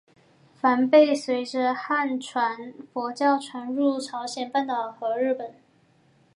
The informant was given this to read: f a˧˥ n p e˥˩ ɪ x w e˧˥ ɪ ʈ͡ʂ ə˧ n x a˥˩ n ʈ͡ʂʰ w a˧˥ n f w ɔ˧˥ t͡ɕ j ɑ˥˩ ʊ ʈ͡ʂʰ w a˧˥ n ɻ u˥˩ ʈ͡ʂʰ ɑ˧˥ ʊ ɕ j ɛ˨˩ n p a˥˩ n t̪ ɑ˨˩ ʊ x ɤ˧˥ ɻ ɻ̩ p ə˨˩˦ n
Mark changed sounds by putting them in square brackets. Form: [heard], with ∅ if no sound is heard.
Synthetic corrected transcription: f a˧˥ n p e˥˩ ɪ [s] w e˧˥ ɪ ʈ͡ʂ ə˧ [∅] x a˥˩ n ʈ͡ʂʰ w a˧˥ n f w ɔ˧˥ t͡ɕ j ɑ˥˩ ʊ ʈ͡ʂʰ w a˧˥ n ɻ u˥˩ ʈ͡ʂʰ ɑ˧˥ ʊ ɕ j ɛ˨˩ n p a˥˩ n t̪ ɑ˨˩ ʊ x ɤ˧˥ ɻ ɻ̩ p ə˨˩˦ n